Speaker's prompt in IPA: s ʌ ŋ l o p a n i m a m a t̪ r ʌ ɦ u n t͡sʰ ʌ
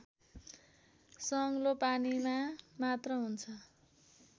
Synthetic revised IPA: s ʌ ŋ l o p a n i m a m a t̪ r ʌ ɦ u n t͡sʰ ʌ